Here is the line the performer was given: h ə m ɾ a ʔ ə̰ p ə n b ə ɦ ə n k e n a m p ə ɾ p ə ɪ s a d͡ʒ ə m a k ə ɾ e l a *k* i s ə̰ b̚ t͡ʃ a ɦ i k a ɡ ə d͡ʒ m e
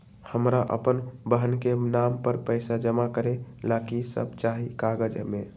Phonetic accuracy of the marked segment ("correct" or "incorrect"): correct